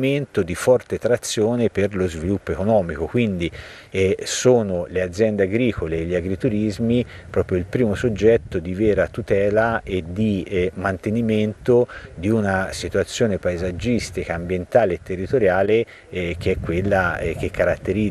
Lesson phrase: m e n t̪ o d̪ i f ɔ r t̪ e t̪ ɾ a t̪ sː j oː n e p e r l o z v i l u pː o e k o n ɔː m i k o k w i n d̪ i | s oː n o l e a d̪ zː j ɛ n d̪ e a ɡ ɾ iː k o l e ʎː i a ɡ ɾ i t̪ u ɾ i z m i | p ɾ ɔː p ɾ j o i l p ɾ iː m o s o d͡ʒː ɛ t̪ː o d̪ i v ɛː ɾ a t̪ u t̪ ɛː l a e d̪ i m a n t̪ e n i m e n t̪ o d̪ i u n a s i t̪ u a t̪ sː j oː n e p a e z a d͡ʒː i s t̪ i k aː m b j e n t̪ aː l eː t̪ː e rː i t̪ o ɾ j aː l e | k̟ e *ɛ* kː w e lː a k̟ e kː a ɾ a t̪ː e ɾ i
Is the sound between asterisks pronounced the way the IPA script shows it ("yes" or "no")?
yes